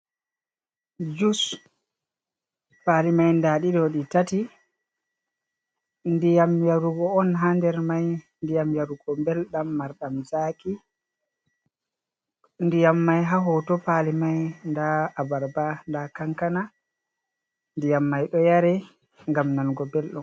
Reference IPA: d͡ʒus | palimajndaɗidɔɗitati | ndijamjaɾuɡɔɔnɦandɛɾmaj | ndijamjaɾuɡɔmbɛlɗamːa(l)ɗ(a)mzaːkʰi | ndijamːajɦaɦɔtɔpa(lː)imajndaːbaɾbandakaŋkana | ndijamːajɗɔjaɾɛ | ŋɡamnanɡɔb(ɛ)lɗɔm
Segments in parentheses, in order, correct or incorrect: incorrect: ɾ, correct, incorrect: l, correct

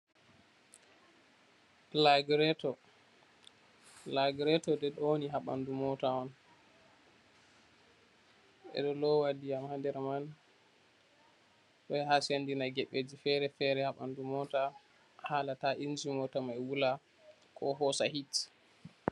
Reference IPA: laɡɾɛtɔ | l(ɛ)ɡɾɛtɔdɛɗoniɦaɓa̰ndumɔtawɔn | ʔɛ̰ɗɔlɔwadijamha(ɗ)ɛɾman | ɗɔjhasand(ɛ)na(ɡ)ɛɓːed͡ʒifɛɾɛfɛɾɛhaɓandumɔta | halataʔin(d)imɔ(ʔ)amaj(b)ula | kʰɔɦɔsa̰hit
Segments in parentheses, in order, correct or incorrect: incorrect: a, incorrect: d, incorrect: i, correct, incorrect: d͡ʒ, incorrect: t, incorrect: w

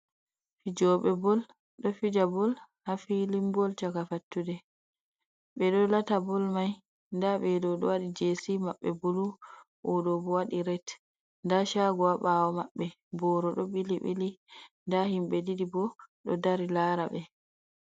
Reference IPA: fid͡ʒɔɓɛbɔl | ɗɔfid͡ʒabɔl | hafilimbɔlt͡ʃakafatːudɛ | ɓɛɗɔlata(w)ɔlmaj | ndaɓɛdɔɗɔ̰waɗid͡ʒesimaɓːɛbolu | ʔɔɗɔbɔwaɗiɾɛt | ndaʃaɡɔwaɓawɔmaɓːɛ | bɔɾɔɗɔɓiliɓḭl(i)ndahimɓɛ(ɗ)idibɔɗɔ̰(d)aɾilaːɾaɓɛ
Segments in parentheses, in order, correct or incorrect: incorrect: b, correct, incorrect: d, correct

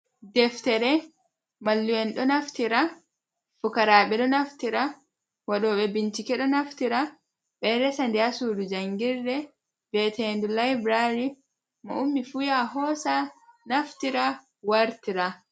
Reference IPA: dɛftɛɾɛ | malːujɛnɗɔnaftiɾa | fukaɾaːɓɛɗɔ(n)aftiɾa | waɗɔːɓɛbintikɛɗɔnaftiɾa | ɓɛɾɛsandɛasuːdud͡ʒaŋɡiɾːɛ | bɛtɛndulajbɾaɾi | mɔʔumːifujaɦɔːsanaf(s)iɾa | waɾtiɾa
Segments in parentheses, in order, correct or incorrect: correct, incorrect: t

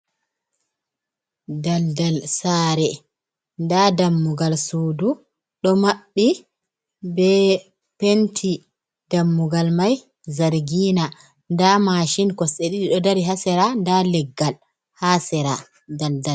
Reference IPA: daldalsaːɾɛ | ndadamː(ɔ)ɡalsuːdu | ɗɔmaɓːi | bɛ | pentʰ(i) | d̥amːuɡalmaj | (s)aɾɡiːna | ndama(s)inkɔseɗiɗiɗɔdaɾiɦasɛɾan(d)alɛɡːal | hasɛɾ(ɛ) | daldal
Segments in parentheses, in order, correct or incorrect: incorrect: u, correct, incorrect: z, incorrect: ʃ, correct, incorrect: a

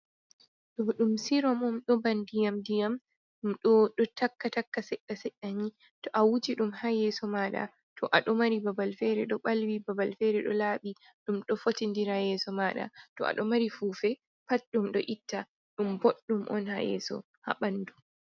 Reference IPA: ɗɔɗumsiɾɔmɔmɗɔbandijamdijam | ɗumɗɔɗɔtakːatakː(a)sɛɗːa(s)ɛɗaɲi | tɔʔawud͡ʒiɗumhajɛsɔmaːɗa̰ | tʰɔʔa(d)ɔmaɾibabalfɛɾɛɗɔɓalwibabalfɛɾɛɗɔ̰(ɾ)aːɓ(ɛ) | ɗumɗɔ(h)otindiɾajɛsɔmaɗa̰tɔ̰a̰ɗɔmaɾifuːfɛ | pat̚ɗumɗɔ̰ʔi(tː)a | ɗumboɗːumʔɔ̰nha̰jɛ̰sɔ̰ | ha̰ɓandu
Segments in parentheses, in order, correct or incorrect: correct, correct, incorrect: ɗ, incorrect: l, incorrect: i, incorrect: f, correct

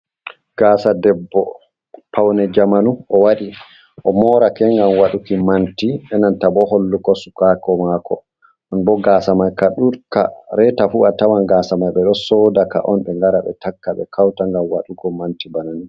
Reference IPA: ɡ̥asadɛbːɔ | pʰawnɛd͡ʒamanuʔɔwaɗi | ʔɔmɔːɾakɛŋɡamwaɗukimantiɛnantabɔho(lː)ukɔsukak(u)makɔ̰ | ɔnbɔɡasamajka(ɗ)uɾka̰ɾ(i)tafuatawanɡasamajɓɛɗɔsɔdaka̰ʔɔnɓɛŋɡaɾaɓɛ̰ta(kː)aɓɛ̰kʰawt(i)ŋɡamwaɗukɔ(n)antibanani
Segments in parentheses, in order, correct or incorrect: correct, incorrect: ɔ, correct, incorrect: ɛ, correct, incorrect: a, incorrect: m

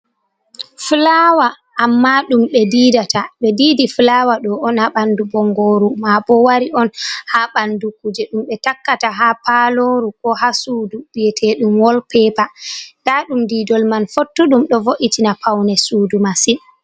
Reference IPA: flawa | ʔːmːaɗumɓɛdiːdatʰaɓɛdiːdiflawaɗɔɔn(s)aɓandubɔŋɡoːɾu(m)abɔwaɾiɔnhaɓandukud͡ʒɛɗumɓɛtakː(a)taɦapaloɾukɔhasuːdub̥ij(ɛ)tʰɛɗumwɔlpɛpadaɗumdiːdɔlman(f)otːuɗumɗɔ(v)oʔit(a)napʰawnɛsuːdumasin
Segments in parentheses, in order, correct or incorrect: incorrect: h, correct, correct, correct, correct, correct, incorrect: i

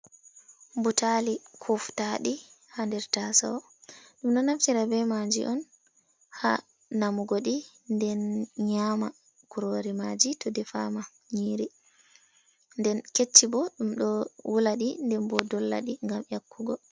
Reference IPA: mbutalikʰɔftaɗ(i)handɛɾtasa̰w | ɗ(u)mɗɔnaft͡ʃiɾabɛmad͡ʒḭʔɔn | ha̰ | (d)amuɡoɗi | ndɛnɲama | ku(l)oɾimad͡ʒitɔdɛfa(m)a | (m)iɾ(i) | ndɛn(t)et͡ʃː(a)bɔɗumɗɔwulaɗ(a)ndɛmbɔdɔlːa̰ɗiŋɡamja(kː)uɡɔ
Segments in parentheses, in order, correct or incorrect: correct, correct, incorrect: n, incorrect: ɾ, correct, incorrect: ɲ, correct, incorrect: k, incorrect: i, incorrect: i, correct

